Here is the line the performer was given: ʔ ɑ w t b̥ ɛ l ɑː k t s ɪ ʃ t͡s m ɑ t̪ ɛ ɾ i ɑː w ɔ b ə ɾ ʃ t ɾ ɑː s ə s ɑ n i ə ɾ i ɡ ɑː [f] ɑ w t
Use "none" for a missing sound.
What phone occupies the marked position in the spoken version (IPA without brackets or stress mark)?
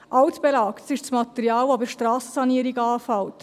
f